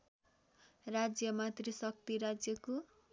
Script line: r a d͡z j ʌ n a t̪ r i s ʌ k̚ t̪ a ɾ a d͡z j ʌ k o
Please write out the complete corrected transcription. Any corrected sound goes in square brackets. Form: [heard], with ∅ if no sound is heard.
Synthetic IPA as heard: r a d͡z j ʌ [m] a t̪ r i s ʌ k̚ t̪ [i] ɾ a d͡z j ʌ k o